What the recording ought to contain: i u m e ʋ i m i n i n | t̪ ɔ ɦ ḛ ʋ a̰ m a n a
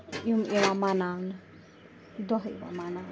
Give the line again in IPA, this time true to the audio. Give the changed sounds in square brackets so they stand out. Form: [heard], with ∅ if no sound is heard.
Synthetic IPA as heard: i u m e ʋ [a] m [a] n [a] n | [d̪] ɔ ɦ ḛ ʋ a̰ m a n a